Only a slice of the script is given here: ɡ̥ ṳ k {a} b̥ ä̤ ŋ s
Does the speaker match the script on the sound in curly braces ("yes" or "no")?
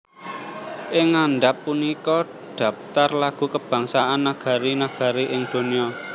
no